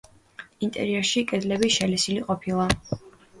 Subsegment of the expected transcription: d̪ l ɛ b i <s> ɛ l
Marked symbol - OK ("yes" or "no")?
no